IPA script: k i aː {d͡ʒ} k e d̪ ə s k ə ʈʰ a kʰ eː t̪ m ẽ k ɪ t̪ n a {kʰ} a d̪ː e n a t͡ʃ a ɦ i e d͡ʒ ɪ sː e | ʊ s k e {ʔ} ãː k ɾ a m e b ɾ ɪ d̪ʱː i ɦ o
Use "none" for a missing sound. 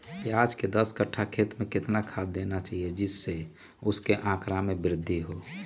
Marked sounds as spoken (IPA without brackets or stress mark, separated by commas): d͡ʒ, kʰ, ʔ